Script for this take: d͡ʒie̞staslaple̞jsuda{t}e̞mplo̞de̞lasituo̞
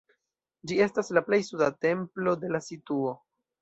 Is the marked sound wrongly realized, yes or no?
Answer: no